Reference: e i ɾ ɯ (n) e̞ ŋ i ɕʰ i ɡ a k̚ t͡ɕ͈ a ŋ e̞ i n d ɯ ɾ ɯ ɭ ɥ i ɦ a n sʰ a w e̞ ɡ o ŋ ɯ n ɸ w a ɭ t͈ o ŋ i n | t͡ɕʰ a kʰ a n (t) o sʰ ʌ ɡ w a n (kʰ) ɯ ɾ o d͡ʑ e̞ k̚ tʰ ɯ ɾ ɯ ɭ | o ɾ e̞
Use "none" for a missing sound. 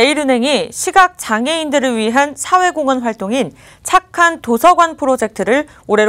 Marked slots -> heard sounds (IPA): n, t, pʰ

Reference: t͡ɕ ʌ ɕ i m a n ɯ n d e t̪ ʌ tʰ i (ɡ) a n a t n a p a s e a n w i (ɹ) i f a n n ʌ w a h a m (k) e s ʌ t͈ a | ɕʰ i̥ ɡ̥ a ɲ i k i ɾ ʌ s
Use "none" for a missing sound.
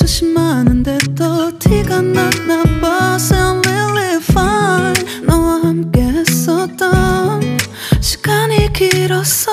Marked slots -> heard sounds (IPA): ɡ, l, k

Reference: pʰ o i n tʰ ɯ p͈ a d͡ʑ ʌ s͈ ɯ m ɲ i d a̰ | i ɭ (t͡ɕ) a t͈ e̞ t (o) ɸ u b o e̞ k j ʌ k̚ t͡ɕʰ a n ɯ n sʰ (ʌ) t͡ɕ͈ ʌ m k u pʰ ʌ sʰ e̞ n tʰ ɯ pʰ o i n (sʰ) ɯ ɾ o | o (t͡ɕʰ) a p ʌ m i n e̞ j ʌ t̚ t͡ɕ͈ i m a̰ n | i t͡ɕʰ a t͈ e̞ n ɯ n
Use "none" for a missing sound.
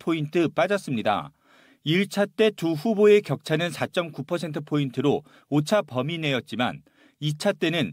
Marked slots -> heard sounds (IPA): t͡ɕʰ, u, a, tʰ, t͡ɕʰ

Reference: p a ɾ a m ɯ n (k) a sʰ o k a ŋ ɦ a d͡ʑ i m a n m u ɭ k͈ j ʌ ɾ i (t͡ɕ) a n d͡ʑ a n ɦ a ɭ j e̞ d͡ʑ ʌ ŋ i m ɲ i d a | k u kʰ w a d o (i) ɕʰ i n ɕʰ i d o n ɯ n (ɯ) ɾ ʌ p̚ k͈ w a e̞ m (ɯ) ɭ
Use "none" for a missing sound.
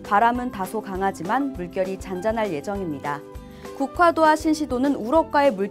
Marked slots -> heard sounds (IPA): t, t͡ɕ, a, u, u

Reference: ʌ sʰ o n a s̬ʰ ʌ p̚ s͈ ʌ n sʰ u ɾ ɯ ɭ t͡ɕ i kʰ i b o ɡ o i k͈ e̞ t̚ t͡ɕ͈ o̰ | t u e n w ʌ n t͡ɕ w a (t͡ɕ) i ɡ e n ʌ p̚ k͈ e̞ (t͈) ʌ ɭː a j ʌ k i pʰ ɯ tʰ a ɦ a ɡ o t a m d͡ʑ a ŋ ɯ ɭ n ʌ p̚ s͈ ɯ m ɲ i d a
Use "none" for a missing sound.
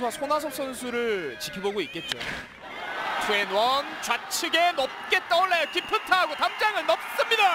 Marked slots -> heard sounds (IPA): t͡ɕʰ, t͈

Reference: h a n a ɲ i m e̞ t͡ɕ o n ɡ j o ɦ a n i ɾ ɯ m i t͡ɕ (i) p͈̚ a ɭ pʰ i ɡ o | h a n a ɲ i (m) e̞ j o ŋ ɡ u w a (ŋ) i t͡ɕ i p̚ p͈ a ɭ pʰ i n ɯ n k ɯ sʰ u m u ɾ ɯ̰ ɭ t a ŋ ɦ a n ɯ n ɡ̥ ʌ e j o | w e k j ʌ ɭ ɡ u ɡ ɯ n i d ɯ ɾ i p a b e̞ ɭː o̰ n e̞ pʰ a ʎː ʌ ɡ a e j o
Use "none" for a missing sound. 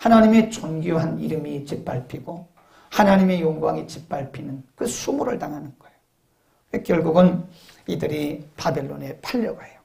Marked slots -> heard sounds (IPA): i, m, ŋ

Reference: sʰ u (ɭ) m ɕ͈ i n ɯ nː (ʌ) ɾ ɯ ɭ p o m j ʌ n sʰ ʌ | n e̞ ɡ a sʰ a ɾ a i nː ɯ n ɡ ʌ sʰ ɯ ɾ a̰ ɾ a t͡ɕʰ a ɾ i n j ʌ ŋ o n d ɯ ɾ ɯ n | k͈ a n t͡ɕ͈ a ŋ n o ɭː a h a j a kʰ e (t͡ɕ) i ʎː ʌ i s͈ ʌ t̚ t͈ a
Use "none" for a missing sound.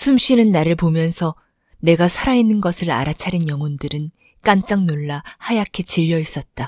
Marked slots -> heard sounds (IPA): none, a, t͡ɕ

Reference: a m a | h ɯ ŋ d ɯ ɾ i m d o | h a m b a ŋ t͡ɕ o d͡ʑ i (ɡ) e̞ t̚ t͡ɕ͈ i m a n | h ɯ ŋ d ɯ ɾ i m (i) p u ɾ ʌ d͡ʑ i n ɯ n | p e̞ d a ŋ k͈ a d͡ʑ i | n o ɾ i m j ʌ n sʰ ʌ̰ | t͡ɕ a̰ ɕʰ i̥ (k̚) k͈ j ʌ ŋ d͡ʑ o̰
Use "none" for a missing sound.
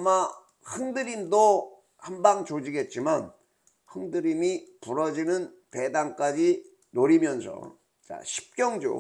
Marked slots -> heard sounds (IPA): ɡ, i, p̚

